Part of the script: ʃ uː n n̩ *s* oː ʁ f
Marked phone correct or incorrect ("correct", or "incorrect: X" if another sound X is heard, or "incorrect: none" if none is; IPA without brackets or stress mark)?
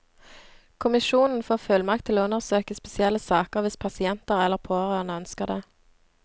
incorrect: f